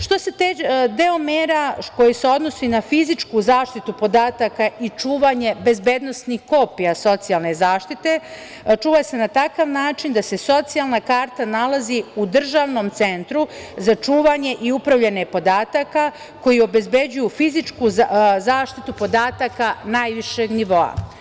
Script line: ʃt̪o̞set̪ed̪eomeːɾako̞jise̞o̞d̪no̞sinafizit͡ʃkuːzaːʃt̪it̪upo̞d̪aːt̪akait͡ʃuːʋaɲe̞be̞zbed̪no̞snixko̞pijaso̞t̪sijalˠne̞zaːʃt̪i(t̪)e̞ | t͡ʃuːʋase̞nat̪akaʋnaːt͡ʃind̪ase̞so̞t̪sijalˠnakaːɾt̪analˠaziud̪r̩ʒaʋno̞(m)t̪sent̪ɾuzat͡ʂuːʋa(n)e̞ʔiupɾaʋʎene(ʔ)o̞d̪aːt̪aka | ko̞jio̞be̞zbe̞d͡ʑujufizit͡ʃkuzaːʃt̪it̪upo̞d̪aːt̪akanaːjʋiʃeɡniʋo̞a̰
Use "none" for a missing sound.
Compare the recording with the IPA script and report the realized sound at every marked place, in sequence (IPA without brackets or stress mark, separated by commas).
t̪, m, ɲ, p